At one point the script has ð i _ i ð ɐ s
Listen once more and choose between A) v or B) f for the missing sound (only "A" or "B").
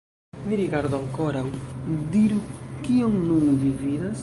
A